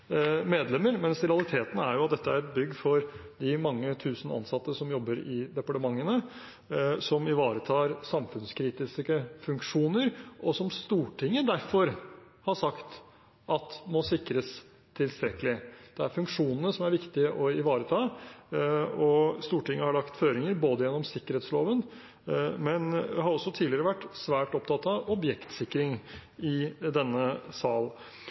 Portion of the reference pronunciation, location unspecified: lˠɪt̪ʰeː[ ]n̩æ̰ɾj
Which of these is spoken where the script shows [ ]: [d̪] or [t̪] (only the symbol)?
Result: t̪